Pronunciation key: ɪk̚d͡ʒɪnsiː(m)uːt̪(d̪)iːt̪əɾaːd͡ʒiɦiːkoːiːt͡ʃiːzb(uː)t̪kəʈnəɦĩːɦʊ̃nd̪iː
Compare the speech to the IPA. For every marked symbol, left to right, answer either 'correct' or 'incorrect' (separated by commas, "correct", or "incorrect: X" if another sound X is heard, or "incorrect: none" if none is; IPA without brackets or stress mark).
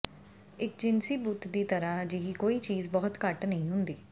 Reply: incorrect: b, correct, incorrect: ɔː